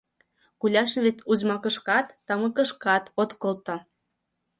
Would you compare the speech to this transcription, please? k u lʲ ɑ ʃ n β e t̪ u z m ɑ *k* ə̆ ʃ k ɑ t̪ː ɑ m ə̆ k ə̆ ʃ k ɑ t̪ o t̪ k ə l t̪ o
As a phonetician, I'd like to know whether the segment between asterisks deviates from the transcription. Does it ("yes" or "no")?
no